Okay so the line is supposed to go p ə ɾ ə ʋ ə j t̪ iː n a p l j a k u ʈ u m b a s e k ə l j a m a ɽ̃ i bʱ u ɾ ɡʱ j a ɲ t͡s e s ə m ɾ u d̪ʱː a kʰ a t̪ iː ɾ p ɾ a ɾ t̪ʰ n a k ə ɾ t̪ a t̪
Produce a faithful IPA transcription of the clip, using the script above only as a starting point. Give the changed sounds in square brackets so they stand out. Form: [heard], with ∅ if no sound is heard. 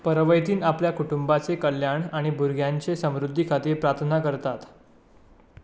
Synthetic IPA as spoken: p ə ɾ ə ʋ ə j t̪ iː n a p l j a k u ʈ u m b a [t͡s] e k ə l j a [ɳ] a ɽ̃ i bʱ u ɾ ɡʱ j a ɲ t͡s e s ə m ɾ u d̪ʱː [i] kʰ a t̪ iː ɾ p ɾ a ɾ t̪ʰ n a k ə ɾ t̪ a t̪